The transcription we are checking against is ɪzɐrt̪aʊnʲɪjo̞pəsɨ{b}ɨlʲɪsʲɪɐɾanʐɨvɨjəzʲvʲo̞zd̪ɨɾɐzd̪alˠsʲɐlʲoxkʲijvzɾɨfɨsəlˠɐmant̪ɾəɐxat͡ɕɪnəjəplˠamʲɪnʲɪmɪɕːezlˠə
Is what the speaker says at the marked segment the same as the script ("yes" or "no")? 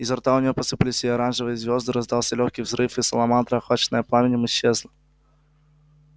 no